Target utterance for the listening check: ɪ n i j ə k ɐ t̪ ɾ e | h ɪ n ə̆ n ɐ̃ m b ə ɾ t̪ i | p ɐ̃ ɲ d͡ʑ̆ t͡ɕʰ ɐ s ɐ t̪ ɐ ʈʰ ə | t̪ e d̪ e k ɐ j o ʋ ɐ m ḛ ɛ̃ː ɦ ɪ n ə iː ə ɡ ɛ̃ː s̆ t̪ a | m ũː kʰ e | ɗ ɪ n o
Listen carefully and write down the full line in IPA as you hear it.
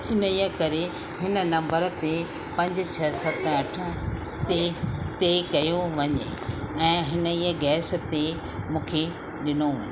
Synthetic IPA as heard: ɪ n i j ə k ɐ ɾ e | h ɪ n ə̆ n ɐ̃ m b ə ɾ t̪ e | p ɐ̃ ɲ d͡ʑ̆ t͡ɕʰ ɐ s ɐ t̪ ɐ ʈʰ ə | t̪ e t̪ e k ɐ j o ʋ ɐ ɲ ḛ ɛ̃ː ɦ ɪ n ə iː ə ɡ ɛː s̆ t̪ e | m ũː kʰ e | ɗ ɪ n o